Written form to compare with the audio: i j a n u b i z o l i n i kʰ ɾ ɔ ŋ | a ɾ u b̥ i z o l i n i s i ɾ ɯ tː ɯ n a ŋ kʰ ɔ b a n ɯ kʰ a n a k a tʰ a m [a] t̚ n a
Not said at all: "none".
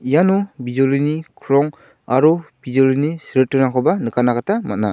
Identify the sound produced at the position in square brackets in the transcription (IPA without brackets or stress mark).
a